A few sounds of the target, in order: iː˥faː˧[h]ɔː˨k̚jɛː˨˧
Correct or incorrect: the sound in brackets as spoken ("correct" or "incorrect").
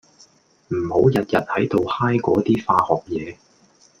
correct